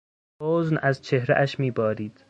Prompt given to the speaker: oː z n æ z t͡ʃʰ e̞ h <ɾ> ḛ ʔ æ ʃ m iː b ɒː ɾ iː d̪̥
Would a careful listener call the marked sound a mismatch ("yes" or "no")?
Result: no